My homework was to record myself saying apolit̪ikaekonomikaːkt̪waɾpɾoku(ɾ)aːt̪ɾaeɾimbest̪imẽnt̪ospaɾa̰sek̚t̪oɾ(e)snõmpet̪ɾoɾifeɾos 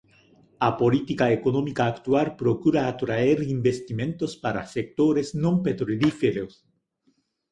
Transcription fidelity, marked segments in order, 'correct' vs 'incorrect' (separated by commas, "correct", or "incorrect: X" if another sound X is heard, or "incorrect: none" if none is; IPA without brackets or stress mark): correct, correct